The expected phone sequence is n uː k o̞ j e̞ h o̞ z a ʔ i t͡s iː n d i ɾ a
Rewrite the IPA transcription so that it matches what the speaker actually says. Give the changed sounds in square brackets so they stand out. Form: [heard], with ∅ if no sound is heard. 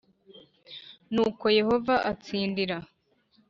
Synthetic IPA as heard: n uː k o̞ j e̞ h o̞ [v] a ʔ [a] t͡s iː n d i ɾ a